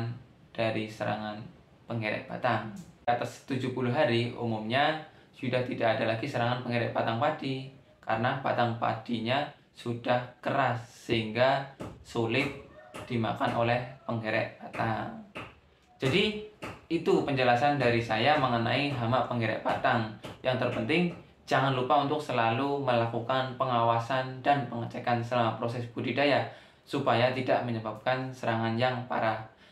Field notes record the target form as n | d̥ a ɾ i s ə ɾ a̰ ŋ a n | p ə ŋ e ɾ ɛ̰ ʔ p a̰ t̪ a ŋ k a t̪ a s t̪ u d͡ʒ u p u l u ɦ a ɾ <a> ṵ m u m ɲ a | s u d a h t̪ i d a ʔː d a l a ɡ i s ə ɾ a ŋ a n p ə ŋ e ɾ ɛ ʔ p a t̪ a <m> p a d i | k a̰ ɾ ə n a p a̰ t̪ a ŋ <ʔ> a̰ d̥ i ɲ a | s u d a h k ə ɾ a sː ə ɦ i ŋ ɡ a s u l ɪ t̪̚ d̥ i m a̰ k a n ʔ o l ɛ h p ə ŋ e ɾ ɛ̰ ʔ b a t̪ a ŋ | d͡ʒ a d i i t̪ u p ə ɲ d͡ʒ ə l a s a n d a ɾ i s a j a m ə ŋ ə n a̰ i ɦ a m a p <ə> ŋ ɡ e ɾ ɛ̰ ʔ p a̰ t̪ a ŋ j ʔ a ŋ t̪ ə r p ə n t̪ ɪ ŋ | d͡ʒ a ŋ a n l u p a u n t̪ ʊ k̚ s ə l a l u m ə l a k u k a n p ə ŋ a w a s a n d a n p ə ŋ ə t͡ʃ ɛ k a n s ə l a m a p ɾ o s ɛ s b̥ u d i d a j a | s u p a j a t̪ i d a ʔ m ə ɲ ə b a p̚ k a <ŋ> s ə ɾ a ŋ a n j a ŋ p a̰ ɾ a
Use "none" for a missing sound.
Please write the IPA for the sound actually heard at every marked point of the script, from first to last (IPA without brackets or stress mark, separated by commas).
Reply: i, ŋ, p, ə, n